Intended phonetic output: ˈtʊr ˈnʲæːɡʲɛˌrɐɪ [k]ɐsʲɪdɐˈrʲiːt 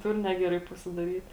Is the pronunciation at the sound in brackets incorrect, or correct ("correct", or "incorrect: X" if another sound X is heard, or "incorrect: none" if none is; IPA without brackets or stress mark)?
incorrect: p